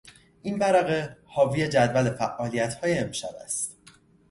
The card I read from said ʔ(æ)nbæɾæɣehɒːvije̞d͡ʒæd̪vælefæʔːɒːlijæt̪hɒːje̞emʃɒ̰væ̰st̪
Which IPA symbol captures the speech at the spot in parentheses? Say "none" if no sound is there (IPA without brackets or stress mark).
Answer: i